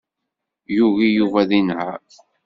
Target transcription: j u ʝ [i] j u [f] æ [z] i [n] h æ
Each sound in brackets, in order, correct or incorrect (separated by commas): correct, incorrect, incorrect, correct